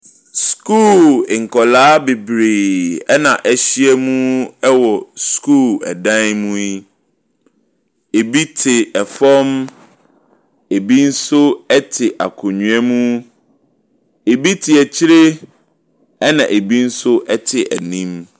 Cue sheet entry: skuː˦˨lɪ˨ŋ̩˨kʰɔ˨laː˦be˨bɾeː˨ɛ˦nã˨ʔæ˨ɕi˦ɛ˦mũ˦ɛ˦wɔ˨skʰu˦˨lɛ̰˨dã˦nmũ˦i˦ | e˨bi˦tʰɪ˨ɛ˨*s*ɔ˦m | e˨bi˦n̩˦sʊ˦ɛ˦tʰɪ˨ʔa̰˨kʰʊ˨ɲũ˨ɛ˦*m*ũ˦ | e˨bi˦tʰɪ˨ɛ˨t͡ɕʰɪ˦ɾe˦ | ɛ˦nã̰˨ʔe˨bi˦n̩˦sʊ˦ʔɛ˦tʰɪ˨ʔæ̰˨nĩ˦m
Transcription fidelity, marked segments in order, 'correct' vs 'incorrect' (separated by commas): incorrect, correct